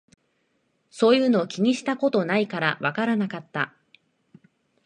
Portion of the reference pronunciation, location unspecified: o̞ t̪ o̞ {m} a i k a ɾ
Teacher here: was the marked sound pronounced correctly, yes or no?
no